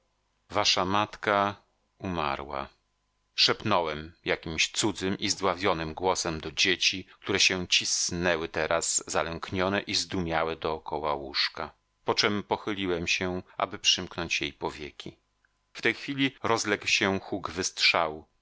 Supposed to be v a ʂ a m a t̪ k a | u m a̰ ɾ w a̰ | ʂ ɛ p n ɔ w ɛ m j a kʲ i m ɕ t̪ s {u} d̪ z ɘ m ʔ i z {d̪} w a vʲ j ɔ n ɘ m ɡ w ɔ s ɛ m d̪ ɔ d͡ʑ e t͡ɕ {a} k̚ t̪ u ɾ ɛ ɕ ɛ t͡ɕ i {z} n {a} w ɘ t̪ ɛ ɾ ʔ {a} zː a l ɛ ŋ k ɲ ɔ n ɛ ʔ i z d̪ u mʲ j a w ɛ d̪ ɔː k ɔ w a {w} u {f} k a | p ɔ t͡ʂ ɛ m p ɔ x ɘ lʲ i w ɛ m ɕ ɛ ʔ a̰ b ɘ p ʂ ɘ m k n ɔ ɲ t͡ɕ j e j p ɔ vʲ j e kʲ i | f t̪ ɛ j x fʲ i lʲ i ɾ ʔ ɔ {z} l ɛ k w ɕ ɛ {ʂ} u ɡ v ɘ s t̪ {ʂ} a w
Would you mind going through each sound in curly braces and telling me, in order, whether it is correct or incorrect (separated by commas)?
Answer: correct, correct, incorrect, incorrect, incorrect, correct, correct, incorrect, correct, incorrect, correct